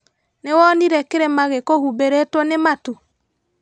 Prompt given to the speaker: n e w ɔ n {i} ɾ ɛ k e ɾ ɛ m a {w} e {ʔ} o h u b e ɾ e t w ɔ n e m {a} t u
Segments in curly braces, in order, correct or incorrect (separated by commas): correct, incorrect, incorrect, correct